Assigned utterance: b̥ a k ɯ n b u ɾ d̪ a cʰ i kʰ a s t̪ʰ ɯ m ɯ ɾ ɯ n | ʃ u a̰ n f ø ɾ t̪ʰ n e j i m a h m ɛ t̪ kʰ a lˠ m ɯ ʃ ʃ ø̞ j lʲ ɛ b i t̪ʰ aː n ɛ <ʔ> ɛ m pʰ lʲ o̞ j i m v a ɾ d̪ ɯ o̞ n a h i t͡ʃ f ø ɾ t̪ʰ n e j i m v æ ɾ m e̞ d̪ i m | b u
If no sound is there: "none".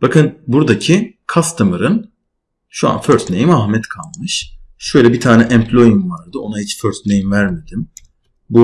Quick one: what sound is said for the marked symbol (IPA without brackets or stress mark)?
ʔ